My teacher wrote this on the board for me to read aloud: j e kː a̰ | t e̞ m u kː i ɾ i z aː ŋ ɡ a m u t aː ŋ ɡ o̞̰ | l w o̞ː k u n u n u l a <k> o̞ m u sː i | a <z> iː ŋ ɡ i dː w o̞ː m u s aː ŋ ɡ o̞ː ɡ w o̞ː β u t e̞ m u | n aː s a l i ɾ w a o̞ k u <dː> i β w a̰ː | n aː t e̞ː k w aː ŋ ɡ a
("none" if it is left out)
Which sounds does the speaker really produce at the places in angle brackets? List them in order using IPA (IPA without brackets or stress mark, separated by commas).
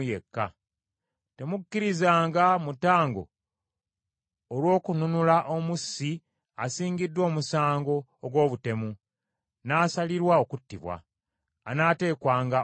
ʔ, s, tː